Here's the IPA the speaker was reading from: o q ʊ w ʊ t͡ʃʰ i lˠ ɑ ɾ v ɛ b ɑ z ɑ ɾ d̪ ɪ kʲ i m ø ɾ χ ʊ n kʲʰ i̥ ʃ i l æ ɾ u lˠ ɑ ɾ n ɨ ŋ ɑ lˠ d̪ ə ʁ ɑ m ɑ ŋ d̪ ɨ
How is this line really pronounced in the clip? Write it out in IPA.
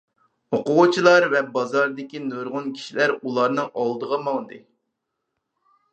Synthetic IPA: o q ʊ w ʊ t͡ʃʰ i lˠ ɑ ɾ v ɛ b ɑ z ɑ ɾ d̪ ɪ kʲ i n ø ɾ ʁ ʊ n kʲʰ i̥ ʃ i l æ ɾ u lˠ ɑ ɾ n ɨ ŋ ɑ lˠ d̪ ə ʁ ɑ m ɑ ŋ d̪ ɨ